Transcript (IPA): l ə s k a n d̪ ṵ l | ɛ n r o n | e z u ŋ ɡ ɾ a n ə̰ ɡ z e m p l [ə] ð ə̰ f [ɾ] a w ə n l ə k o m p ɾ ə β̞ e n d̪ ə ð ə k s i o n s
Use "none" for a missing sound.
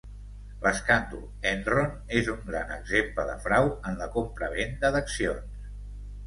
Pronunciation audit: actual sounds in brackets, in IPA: ə, ɾ

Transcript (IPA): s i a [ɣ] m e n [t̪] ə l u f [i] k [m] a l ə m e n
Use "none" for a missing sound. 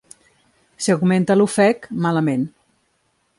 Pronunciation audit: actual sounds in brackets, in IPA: ɣ, t̪, ɛ, m

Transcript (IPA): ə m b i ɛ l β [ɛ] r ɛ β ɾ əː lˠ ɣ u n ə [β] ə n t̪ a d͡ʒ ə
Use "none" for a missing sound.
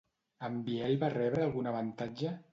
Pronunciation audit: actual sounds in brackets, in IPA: a, β

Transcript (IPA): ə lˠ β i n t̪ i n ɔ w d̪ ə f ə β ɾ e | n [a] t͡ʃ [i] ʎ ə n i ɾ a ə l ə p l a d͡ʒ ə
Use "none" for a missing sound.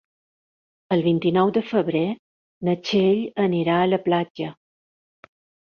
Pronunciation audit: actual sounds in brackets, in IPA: ə, e

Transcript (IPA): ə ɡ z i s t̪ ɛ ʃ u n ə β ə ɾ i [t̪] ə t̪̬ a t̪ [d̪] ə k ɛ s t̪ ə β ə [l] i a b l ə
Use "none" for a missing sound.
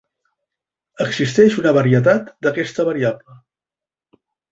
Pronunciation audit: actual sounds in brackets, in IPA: none, d̪, ɾ

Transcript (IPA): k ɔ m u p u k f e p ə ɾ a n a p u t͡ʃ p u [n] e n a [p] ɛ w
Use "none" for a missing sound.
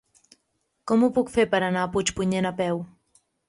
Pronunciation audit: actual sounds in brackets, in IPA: ɲ, p

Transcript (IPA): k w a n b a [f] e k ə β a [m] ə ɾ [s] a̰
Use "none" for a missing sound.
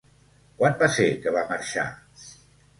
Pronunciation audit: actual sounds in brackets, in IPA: s, m, ʃ

